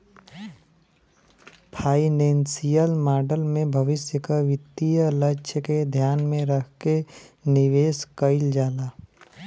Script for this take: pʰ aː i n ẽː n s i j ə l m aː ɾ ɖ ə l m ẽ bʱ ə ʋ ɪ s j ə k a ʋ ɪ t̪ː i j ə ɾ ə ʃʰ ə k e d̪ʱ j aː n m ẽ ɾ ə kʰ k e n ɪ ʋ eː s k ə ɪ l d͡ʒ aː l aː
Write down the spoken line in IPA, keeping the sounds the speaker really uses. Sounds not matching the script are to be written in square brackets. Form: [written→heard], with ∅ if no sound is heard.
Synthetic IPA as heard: pʰ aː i n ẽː n s i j ə l m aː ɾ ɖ ə l m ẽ bʱ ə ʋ ɪ s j ə k a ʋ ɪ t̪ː i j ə [ɾ→l] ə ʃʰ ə k e d̪ʱ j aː n m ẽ ɾ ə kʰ k e n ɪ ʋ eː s k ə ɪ l d͡ʒ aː l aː